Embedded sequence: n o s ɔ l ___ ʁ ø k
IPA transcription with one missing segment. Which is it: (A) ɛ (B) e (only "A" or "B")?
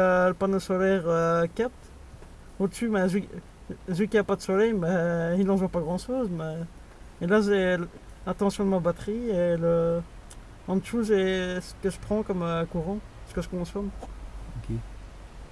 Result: A